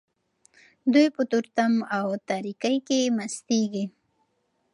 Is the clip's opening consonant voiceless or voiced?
voiced